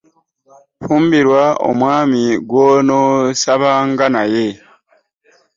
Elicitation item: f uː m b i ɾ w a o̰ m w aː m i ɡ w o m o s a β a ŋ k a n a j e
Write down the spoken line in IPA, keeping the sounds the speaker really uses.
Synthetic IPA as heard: f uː m b i ɾ w a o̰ m w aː m i ɡ w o n o s a β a ŋ ɡ a n a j e